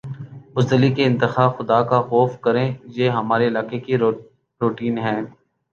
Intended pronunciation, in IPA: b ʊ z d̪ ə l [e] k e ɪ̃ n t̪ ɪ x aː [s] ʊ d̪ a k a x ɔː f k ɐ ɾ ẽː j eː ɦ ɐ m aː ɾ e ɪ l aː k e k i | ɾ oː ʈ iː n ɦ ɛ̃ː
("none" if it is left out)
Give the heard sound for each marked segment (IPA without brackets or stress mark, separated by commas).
i, x